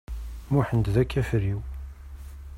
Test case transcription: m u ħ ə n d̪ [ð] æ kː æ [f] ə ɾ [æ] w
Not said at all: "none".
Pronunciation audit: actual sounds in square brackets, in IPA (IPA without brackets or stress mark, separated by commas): ð, f, i